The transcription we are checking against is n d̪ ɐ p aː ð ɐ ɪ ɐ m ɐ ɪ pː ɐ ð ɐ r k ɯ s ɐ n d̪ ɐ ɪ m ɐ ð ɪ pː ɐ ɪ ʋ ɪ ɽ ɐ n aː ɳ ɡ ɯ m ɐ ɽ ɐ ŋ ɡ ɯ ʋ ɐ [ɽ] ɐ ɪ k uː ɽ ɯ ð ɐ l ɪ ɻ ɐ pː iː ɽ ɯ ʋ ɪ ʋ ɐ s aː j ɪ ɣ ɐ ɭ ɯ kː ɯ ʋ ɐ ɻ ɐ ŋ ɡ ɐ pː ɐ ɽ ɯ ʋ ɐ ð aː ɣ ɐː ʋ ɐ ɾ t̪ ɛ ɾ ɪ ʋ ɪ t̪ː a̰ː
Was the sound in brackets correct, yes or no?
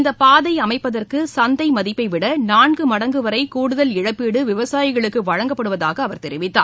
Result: no